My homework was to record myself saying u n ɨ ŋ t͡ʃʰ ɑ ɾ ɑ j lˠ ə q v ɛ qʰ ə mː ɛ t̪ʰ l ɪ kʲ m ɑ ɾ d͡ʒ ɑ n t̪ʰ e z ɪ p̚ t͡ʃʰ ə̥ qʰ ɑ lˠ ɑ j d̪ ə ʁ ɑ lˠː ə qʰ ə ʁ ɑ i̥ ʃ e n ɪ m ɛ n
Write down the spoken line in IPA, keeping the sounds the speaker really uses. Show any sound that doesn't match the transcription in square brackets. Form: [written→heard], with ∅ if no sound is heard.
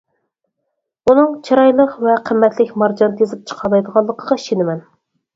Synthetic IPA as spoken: u n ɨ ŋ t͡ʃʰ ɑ ɾ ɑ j lˠ ə q v ɛ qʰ ə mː ɛ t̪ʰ l ɪ kʲ m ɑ ɾ d͡ʒ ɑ n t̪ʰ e z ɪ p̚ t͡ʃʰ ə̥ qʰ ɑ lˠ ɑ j d̪ ə ʁ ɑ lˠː ə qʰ ə ʁ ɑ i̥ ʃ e n ɪ m ɛ n

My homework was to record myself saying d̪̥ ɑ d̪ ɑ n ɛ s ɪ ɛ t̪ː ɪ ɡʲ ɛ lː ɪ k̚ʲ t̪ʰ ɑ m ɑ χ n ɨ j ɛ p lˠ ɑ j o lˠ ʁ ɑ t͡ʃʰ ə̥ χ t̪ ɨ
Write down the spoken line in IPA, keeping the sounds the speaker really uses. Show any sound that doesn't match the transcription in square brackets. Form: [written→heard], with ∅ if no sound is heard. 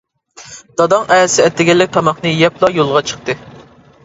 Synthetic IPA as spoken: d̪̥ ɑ d̪ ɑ [n→ŋ] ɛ s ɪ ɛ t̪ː ɪ ɡʲ ɛ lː ɪ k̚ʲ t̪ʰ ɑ m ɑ χ n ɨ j ɛ p lˠ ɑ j o lˠ ʁ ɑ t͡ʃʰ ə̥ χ t̪ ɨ

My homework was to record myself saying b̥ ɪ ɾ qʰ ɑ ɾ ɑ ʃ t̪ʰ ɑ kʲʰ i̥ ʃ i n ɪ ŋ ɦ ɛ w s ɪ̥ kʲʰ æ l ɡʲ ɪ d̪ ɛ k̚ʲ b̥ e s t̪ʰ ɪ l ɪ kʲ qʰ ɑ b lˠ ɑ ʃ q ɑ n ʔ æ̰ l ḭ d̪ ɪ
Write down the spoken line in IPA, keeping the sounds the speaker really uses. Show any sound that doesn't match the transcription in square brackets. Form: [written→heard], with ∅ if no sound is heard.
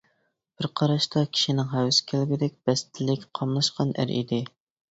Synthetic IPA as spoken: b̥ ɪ ɾ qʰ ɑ ɾ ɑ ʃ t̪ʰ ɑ kʲʰ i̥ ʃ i n ɪ ŋ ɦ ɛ w s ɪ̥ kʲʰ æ l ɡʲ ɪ d̪ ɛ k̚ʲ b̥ [e→ɛ] s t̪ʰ ɪ l ɪ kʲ qʰ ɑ [b→m] lˠ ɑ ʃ q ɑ n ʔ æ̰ [l→ɾ] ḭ d̪ ɪ

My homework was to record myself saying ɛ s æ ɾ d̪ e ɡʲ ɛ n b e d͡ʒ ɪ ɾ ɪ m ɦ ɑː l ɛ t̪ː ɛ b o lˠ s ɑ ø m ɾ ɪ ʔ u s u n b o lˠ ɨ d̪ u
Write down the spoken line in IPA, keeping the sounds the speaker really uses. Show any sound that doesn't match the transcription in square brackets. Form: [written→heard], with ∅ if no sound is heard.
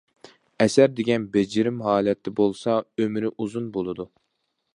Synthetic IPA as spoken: ɛ s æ ɾ d̪ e ɡʲ ɛ n b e d͡ʒ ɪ ɾ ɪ m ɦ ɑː l ɛ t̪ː ɛ b o lˠ s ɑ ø m ɾ ɪ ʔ u [s→z] u n b o lˠ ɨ d̪ u

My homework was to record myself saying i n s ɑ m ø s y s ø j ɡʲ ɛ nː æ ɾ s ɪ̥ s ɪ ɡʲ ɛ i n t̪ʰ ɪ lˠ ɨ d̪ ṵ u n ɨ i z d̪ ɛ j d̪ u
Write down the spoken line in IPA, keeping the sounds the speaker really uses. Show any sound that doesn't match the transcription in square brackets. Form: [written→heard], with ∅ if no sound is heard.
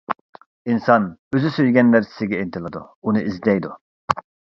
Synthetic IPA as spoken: i n s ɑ [m→n] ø [s→z] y s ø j ɡʲ ɛ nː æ ɾ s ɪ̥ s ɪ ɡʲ ɛ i n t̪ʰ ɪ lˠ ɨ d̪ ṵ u n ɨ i z d̪ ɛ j d̪ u

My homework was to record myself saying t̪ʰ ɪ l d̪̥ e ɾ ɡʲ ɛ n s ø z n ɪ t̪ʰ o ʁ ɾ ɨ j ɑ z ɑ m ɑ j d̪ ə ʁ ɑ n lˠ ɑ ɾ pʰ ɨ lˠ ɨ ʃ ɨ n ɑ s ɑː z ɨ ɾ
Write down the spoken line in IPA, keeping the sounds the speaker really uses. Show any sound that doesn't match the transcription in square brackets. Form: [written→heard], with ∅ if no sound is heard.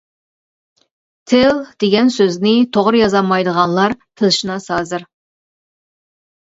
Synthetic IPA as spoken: t̪ʰ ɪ l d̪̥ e [ɾ→∅] ɡʲ ɛ n s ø z n ɪ t̪ʰ o ʁ ɾ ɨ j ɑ z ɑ m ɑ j d̪ ə ʁ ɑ n lˠ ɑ ɾ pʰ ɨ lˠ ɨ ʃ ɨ n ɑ s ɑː z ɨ ɾ

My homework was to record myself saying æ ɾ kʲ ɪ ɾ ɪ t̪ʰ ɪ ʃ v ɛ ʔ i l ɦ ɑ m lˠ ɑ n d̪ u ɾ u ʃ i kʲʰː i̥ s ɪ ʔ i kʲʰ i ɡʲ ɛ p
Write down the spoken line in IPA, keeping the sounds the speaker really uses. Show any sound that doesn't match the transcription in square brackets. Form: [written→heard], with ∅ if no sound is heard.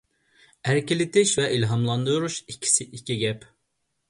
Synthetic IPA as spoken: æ ɾ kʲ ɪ [ɾ→l] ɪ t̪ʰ ɪ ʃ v ɛ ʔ i l ɦ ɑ m lˠ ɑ n d̪ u ɾ u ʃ i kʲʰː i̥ s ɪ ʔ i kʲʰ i ɡʲ ɛ p

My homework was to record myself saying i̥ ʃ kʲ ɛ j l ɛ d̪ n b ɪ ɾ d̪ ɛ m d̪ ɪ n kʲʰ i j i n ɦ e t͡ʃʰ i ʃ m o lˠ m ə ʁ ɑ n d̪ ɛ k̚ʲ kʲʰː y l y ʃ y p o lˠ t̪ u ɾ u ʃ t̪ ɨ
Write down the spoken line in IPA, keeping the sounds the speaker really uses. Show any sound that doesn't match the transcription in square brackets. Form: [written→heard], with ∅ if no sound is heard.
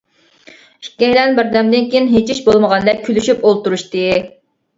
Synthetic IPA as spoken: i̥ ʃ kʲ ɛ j l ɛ [d̪→∅] n b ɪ ɾ d̪ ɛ m d̪ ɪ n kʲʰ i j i n ɦ e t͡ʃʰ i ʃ [m→b] o lˠ m ə ʁ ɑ n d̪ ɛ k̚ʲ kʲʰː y l y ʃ y p o lˠ t̪ u ɾ u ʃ t̪ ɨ

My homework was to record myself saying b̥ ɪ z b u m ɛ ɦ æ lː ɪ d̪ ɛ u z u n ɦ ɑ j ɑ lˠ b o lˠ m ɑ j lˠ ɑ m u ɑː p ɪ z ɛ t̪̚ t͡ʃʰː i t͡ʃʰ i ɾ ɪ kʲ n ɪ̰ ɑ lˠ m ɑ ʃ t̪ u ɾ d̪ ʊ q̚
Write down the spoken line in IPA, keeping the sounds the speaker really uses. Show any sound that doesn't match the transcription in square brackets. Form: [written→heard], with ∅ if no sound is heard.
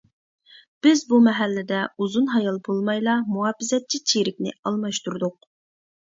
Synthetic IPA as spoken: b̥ ɪ z b u m ɛ ɦ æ lː ɪ d̪ ɛ u z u n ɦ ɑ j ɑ lˠ b o lˠ m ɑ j lˠ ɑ m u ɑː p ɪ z ɛ t̪̚ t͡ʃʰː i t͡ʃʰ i ɾ ɪ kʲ n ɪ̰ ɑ lˠ m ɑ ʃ t̪ u ɾ d̪ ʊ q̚

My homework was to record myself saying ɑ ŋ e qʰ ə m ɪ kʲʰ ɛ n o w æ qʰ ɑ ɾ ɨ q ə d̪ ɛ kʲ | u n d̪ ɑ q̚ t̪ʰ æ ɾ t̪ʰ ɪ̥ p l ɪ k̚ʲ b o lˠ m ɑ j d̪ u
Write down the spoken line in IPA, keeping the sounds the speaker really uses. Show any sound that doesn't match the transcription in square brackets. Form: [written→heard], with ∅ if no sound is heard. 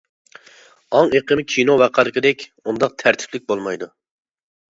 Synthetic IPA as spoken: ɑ ŋ e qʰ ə m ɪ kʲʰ [ɛ→i] n o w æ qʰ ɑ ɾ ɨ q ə d̪ ɛ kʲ | u n d̪ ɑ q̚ t̪ʰ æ ɾ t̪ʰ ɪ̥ p l ɪ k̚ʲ b o lˠ m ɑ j d̪ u

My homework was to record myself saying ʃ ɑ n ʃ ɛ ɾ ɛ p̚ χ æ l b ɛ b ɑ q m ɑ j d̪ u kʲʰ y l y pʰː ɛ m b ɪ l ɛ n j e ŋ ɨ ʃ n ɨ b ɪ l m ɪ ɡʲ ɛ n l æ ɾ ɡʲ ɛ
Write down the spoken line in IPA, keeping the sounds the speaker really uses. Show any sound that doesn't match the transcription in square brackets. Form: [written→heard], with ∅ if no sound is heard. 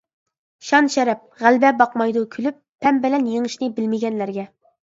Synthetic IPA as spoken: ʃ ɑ n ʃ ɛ ɾ ɛ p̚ [χ→ʁ] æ l b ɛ b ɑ q m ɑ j d̪ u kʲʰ y l y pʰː ɛ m b ɪ l ɛ n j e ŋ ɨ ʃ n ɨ b ɪ l m ɪ ɡʲ ɛ n l æ ɾ ɡʲ ɛ

